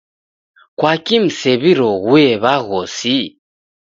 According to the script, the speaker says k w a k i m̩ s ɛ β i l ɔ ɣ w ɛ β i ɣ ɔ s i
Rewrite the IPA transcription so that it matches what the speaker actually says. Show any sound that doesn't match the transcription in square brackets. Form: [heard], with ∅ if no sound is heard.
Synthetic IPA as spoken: k w a k i m̩ s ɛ β i [ɾ] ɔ ɣ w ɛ β [a] ɣ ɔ s i